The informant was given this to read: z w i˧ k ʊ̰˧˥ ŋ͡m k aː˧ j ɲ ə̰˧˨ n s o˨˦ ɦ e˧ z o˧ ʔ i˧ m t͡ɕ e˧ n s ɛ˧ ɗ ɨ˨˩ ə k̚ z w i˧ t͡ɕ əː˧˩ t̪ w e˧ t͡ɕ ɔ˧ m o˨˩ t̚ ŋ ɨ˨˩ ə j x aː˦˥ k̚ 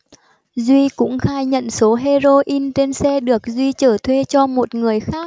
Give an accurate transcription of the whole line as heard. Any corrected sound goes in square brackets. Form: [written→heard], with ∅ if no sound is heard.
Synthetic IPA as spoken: z w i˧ k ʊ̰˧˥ ŋ͡m [k→x] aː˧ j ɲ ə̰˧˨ n s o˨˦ ɦ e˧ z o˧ ʔ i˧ [m→n] t͡ɕ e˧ n s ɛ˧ ɗ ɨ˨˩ ə k̚ z w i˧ t͡ɕ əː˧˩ [t̪→t̪ʰ] w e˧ t͡ɕ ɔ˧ m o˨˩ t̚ ŋ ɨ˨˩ ə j x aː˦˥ k̚